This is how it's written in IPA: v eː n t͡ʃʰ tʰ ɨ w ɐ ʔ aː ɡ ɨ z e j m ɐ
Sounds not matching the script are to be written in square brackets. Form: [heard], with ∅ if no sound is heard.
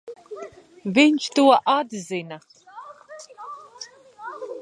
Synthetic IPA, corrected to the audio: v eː n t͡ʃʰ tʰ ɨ w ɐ ʔ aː [d] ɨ z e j [n] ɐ